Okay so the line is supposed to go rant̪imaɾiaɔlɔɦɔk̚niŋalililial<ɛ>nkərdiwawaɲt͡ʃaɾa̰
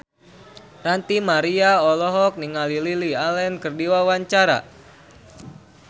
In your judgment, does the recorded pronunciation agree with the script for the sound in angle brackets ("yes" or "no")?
yes